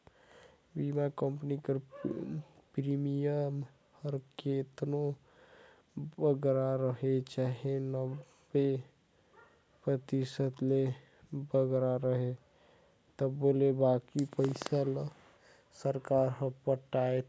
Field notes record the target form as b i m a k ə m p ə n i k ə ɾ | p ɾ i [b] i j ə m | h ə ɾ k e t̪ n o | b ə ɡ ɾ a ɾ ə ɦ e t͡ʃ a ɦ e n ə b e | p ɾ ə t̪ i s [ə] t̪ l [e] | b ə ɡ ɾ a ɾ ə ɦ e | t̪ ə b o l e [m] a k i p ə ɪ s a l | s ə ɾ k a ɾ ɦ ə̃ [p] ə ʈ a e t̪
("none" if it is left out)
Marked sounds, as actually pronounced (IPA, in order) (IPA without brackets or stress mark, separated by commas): m, ə, e, b, p